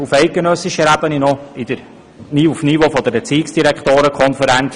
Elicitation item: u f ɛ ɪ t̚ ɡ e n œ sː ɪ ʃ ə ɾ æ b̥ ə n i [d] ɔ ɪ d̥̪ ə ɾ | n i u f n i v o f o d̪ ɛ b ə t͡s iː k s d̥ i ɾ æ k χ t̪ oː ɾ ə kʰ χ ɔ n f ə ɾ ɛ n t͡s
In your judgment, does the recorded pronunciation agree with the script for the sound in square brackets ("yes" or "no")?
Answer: no